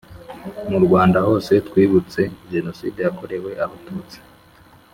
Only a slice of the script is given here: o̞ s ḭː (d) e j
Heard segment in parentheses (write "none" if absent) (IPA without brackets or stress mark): d